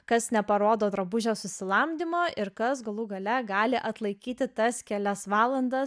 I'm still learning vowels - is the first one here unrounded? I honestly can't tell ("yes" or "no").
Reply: yes